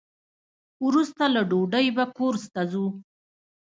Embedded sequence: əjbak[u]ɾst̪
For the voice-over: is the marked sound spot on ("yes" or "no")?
no